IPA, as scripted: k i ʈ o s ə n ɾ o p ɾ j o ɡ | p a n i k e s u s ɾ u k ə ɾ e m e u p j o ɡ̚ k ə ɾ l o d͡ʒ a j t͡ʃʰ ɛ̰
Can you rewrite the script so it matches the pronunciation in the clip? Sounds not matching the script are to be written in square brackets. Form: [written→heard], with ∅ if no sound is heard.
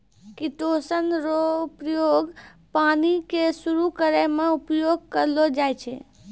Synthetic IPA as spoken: k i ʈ o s ə n ɾ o p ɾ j o ɡ | p a n i k e s u [s→∅] ɾ u k ə ɾ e m e u p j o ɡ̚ k ə ɾ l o d͡ʒ a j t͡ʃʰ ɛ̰